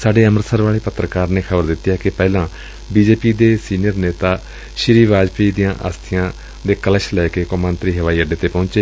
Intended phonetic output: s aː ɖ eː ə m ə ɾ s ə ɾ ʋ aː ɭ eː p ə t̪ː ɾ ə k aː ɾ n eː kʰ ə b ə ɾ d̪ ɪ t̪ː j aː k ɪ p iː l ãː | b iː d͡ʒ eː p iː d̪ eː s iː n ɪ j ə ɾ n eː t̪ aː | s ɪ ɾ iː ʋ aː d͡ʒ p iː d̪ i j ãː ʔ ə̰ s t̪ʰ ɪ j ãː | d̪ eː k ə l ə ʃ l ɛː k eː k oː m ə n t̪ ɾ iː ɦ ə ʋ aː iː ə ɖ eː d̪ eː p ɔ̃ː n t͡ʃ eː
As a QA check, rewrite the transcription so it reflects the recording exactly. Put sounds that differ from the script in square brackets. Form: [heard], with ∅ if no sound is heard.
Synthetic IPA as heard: s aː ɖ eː ə m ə ɾ s ə ɾ ʋ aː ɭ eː p ə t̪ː ɾ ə k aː ɾ n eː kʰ ə b ə ɾ d̪ ɪ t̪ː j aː k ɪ p [ɛː] l ãː | b iː d͡ʒ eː p iː d̪ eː s iː n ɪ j ə ɾ n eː t̪ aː | [ʃ] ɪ ɾ iː ʋ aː d͡ʒ p iː d̪ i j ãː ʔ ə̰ s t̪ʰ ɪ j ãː | d̪ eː k ə l ə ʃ l ɛː k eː k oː m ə n t̪ ɾ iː ɦ ə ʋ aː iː ə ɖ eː [t̪] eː p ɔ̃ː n t͡ʃ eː